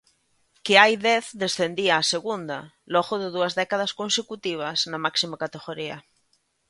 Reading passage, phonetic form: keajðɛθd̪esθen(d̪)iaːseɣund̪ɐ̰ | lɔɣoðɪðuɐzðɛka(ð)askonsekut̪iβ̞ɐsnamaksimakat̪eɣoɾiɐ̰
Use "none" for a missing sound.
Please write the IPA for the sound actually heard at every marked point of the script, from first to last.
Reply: d̪, ð

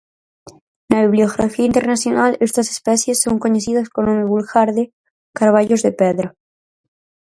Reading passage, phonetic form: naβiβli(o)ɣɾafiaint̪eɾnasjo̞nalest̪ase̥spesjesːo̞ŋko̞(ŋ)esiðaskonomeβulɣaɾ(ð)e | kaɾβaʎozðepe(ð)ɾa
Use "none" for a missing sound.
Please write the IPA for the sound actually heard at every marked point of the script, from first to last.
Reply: o, ɲ, ð, ð

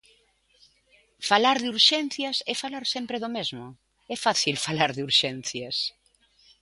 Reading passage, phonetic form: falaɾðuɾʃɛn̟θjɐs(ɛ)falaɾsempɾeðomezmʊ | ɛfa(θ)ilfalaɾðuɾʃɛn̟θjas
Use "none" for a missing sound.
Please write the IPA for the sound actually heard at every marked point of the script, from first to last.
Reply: ɛ, θ

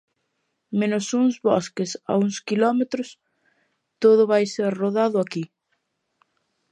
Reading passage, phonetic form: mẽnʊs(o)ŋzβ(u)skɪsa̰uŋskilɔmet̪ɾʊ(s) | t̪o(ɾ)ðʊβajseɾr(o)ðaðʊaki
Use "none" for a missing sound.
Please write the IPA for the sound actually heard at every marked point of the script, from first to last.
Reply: u, ɔ, s, none, o

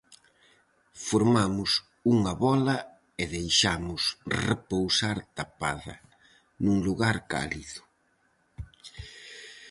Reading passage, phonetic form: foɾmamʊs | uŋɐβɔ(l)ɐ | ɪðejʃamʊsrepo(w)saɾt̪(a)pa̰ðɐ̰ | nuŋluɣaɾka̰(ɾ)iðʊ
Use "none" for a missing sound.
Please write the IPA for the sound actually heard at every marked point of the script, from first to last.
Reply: l, w, a, l

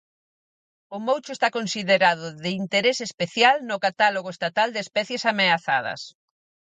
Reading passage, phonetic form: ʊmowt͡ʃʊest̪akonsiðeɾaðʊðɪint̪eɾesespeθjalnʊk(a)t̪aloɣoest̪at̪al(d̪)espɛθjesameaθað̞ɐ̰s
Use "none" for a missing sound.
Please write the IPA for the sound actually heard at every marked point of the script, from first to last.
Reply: a, d̪

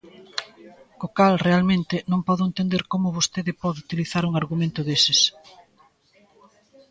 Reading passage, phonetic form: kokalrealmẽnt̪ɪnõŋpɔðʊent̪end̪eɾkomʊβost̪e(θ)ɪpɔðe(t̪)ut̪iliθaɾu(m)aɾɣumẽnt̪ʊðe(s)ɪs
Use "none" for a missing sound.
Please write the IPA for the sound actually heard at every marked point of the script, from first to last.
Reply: ð, none, ŋ, s

